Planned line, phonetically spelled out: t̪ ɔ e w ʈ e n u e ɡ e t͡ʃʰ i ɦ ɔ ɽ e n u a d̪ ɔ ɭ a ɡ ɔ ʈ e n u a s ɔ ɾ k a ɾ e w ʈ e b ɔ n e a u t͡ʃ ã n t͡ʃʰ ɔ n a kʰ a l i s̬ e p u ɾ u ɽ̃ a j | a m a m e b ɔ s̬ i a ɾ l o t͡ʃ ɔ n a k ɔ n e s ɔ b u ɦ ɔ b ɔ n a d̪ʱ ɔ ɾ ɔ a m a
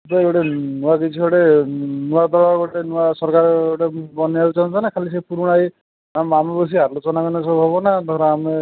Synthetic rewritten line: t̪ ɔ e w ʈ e n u a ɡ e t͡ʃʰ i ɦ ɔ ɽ e n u a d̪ ɔ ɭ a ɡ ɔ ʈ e n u a s ɔ ɾ k a ɾ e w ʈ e b ɔ n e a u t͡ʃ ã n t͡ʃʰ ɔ n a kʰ a l i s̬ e p u ɾ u ɽ̃ a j | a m a m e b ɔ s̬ i a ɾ l o t͡ʃ ɔ n a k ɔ n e s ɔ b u ɦ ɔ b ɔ n a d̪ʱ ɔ ɾ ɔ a m e